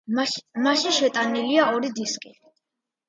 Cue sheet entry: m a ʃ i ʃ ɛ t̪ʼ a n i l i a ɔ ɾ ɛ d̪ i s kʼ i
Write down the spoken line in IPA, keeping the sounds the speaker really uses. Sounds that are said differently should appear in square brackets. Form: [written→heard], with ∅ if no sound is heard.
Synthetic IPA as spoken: m a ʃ i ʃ ɛ t̪ʼ a n i l i a ɔ ɾ [ɛ→i] d̪ i s kʼ i